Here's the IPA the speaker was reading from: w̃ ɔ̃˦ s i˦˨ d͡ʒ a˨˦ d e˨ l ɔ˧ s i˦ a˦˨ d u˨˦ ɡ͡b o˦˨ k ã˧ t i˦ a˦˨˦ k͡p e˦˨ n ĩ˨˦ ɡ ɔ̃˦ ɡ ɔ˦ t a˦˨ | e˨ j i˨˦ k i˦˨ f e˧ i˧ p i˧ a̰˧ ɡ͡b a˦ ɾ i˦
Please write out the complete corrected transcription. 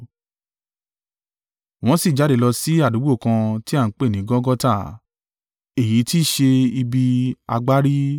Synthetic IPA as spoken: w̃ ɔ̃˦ s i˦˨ d͡ʒ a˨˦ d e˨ l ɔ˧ s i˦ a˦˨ d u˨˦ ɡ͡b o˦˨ k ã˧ t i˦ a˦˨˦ k͡p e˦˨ n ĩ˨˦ ɡ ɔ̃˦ ɡ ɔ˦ t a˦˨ | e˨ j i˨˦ t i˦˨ ʃ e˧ i˧ b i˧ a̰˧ ɡ͡b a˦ ɾ i˦